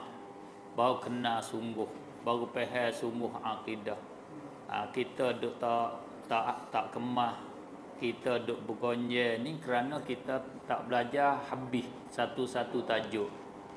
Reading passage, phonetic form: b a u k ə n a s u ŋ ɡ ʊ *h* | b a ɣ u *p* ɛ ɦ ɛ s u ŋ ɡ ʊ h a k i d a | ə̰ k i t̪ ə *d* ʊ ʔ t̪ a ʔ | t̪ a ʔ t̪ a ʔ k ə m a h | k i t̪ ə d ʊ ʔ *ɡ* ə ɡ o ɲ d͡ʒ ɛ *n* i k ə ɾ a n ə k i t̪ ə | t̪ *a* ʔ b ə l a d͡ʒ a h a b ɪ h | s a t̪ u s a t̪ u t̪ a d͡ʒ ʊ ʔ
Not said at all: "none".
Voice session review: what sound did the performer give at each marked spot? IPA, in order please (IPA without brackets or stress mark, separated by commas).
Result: h, p, d, b, n, a